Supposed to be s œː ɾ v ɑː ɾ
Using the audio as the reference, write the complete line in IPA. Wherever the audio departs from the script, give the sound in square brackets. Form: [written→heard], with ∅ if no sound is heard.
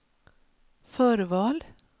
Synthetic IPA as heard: [s→f] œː ɾ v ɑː [ɾ→l]